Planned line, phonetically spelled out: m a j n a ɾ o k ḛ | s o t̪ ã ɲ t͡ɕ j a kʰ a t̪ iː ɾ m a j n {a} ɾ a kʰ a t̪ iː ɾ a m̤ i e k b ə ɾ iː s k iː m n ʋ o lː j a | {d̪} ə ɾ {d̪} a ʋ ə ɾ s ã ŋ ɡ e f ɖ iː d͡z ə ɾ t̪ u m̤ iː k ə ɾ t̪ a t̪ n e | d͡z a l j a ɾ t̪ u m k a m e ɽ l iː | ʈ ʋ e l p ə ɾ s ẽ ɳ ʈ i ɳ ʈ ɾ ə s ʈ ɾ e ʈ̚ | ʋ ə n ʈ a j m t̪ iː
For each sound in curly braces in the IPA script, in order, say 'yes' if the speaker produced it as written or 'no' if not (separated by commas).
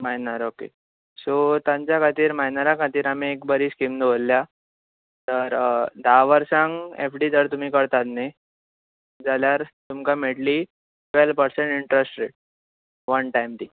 yes, no, yes